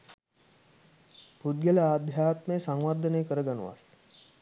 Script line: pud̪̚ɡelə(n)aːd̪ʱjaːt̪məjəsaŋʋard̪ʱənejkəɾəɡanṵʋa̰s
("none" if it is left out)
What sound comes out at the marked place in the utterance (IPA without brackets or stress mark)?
none